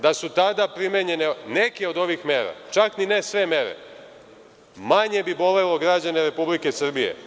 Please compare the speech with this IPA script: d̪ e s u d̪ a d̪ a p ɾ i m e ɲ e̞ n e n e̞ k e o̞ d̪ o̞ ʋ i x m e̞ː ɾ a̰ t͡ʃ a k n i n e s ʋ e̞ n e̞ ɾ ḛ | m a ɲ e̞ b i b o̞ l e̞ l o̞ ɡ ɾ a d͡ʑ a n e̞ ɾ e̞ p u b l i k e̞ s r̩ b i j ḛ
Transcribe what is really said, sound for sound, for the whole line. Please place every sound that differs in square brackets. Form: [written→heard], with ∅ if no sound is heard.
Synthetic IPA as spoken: d̪ [e→a] s u [d̪→t̪] a d̪ a p ɾ i m e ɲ e̞ n e n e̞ k e o̞ d̪ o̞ ʋ i x m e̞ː ɾ a̰ t͡ʃ a k n i n e s ʋ e̞ [n→m] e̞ ɾ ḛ | m a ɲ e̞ b i b o̞ l e̞ l o̞ ɡ ɾ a d͡ʑ a n e̞ ɾ e̞ p u b l i k e̞ s r̩ b i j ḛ